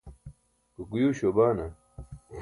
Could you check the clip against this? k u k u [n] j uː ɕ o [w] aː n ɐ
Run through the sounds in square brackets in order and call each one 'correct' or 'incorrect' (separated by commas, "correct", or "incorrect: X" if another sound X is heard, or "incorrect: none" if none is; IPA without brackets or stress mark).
incorrect: none, incorrect: b